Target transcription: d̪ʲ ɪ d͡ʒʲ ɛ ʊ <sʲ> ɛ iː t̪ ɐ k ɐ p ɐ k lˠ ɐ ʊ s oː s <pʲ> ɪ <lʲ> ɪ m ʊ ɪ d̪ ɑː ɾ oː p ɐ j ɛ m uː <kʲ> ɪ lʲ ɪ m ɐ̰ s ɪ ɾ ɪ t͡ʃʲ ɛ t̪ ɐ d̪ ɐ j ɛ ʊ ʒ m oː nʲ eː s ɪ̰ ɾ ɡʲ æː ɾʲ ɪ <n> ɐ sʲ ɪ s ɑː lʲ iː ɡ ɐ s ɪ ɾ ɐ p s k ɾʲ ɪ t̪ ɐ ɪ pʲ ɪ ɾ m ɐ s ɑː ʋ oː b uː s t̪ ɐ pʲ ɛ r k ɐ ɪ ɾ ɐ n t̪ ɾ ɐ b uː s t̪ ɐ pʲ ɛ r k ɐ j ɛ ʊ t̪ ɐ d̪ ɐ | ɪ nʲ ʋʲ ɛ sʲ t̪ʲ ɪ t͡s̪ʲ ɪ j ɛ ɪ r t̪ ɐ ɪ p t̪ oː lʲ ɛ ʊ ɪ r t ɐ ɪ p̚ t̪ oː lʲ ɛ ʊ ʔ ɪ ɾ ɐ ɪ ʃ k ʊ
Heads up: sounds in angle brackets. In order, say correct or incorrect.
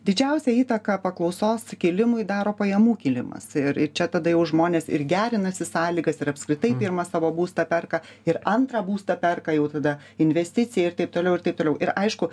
correct, incorrect: kʲ, correct, correct, correct

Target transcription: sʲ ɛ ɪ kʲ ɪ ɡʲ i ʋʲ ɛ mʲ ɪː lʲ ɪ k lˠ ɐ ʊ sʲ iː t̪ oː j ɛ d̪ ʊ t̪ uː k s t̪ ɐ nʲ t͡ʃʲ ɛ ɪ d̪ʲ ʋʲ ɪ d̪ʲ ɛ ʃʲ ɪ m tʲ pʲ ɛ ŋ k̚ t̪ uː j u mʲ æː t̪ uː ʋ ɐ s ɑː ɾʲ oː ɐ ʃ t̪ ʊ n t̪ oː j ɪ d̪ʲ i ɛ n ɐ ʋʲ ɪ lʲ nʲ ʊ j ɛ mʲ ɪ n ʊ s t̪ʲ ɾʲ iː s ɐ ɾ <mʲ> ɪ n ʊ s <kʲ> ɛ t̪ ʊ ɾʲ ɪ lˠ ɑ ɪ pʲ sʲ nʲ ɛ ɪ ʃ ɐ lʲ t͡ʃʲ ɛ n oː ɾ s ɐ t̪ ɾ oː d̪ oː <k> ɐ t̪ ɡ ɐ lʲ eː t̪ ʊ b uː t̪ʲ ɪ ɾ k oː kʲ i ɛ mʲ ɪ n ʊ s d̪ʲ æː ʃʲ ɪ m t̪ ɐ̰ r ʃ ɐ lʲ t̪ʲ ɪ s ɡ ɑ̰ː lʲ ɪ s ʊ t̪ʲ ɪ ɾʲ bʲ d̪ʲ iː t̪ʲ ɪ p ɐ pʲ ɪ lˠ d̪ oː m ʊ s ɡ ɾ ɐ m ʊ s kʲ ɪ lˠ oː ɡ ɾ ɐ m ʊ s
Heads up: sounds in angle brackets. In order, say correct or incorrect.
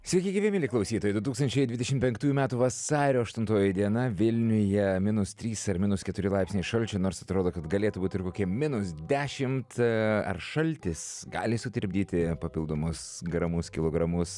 correct, correct, correct

